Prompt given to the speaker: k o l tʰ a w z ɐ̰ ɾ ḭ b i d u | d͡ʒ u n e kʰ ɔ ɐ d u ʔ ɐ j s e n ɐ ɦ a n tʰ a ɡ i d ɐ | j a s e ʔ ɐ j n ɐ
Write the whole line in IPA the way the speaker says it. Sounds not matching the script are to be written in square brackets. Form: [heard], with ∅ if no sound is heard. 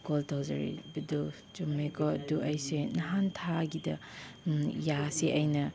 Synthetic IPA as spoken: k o l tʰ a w z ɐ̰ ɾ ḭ b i d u | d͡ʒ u [m] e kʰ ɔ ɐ d u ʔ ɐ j s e n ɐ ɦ a n tʰ a ɡ i d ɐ | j a s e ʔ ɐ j n ɐ